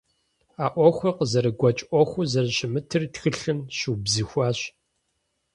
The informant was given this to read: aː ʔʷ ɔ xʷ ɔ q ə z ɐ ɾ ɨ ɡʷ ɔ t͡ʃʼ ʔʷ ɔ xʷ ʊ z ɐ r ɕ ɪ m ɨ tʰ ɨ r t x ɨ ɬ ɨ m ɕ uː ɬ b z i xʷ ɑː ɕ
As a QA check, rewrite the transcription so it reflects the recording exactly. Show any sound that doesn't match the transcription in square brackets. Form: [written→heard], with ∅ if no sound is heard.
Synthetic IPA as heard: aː ʔʷ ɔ xʷ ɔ q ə z ɐ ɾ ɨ ɡʷ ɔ t͡ʃʼ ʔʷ ɔ xʷ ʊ z ɐ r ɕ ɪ m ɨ tʰ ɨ r t x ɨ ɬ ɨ m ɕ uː [ɬ→∅] b z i xʷ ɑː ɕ